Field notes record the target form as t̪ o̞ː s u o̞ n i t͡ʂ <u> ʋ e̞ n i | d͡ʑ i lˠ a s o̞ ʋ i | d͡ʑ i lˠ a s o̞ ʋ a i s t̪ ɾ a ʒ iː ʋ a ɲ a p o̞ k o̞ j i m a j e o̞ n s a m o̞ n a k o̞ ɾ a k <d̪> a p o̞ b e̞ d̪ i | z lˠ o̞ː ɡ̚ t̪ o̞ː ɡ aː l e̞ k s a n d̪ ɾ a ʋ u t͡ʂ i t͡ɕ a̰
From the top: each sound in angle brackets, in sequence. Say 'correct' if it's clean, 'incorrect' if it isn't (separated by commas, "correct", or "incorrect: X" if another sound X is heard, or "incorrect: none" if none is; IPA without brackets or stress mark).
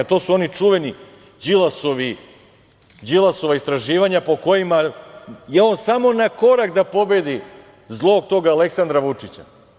correct, correct